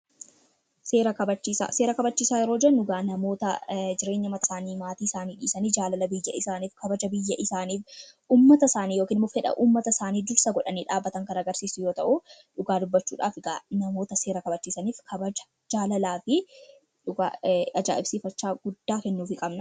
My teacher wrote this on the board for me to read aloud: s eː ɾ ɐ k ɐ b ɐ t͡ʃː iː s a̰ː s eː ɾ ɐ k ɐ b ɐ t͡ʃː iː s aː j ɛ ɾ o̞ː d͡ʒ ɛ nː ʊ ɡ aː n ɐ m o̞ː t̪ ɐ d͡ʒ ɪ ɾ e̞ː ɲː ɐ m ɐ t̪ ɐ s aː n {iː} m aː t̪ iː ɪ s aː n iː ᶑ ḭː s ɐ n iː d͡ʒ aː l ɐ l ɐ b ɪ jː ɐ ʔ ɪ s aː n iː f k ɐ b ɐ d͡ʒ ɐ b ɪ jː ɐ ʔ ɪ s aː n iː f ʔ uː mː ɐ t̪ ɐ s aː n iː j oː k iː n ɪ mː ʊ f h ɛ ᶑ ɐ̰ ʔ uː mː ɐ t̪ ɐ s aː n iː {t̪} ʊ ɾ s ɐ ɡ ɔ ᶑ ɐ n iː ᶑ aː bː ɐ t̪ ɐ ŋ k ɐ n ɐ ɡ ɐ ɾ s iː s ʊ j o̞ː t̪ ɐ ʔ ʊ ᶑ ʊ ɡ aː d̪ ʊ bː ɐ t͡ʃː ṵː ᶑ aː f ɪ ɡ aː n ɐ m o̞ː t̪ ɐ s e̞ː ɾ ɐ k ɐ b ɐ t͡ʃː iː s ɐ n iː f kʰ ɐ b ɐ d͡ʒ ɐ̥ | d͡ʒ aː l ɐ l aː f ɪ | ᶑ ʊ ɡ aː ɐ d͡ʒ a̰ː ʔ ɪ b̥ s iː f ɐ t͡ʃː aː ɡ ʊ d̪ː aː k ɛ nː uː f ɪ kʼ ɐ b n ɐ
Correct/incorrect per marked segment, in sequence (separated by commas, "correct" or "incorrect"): correct, incorrect